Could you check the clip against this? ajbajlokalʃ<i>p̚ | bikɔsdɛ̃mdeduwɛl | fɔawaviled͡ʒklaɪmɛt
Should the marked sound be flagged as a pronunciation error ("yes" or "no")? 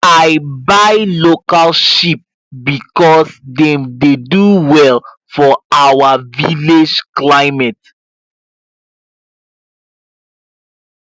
no